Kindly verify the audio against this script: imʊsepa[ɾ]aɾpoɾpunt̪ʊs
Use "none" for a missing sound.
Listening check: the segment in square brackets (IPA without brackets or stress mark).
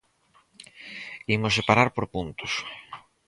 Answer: ɾ